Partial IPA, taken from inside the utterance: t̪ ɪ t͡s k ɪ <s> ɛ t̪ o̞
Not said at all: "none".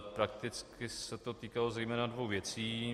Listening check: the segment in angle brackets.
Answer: s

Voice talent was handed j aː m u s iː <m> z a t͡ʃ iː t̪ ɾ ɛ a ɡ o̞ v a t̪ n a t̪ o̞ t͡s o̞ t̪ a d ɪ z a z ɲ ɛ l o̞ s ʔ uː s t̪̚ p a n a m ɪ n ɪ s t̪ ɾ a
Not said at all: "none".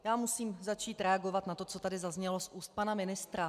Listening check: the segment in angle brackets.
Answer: m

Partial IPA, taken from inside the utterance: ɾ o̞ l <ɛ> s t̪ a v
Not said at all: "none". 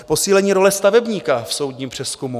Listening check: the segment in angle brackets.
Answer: ɛ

